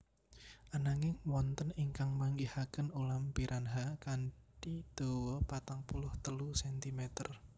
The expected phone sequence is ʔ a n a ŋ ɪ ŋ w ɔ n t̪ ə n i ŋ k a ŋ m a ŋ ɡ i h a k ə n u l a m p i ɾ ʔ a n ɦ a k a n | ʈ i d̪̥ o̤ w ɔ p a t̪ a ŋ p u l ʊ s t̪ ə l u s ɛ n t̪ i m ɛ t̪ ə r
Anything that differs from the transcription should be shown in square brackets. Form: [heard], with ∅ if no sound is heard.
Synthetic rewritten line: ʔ a n a ŋ ɪ ŋ w ɔ n t̪ ə n i ŋ k a ŋ m a ŋ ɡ i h a k ə n u l a m p i ɾ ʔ a n ɦ a k a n | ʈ i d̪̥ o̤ w ɔ p a t̪ a ŋ p u l ʊ [h] t̪ ə l u s ɛ n t̪ i m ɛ t̪ ə r